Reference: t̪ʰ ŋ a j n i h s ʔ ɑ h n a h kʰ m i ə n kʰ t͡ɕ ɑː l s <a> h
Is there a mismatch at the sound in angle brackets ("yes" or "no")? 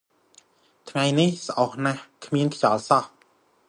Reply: yes